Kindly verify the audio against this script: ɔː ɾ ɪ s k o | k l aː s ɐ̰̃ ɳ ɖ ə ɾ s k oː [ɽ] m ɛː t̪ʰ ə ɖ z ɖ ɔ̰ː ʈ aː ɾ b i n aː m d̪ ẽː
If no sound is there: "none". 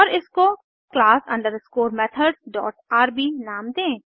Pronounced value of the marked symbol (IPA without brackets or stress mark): ɾ